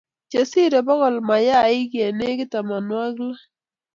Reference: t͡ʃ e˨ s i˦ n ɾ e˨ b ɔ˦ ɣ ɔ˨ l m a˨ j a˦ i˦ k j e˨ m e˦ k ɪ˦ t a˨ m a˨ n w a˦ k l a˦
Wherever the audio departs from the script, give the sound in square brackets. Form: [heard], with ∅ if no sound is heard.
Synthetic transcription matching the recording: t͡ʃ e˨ s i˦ [∅] ɾ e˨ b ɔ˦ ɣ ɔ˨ l m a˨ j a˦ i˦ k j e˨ [n] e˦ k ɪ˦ t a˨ m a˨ n w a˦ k l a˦